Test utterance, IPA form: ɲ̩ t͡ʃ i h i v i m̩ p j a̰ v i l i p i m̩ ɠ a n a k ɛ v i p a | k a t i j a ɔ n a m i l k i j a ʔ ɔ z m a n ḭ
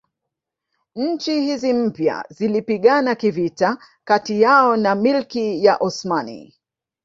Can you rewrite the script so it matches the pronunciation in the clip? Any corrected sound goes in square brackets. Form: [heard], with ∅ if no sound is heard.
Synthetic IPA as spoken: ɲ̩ t͡ʃ i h i [z] i m̩ p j a̰ [z] i l i p i [∅] ɠ a n a k [i] v i [t] a | k a t i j a ɔ n a m i l k i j a ʔ ɔ [s] m a n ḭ